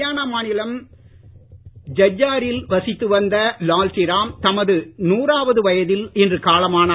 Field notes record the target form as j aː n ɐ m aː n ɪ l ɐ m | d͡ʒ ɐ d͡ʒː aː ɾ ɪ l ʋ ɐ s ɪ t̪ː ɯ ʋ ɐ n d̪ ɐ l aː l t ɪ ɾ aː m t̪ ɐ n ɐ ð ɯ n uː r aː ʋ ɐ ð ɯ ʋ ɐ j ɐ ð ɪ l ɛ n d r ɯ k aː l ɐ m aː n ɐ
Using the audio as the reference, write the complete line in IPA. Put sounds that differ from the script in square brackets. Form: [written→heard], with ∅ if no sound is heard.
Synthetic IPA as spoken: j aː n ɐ m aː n ɪ l ɐ m | d͡ʒ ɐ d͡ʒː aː ɾ ɪ l ʋ ɐ s ɪ t̪ː ɯ ʋ ɐ n d̪ ɐ l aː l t ɪ ɾ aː m t̪ ɐ [n→m] ɐ ð ɯ n uː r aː ʋ ɐ ð ɯ ʋ ɐ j ɐ ð ɪ l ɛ n d r ɯ k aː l ɐ m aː n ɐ